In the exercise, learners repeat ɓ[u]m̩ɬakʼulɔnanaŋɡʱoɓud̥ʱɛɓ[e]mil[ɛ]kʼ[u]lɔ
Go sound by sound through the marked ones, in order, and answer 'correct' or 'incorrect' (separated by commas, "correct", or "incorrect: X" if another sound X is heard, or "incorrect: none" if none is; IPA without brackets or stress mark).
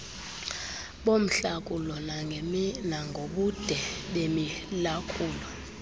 incorrect: o, correct, incorrect: a, incorrect: uː